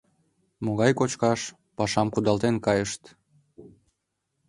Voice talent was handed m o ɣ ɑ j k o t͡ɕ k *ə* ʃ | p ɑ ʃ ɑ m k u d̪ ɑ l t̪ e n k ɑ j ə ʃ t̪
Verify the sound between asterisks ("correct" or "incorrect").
incorrect